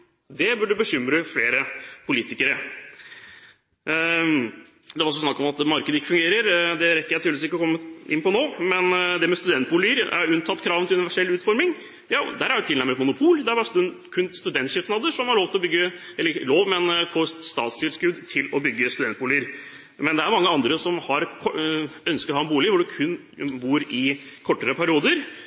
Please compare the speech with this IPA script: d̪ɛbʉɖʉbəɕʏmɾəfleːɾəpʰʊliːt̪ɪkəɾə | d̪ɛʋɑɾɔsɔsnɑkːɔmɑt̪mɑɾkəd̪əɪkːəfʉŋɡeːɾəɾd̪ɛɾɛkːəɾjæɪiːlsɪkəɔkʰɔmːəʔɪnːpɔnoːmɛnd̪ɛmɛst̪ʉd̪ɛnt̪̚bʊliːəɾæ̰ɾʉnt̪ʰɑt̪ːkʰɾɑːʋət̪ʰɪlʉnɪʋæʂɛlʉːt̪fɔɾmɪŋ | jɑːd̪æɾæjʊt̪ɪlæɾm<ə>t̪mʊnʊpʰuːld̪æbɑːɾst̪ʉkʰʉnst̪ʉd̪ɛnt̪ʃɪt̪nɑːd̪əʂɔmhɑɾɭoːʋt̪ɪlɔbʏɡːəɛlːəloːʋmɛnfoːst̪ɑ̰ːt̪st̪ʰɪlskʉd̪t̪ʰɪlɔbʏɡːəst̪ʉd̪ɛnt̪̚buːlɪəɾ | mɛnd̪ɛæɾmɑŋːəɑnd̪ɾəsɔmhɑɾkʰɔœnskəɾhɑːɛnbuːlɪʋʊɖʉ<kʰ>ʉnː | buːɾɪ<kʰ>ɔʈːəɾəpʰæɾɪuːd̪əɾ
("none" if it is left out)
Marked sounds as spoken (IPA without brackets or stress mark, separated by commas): ə, kʰ, kʰ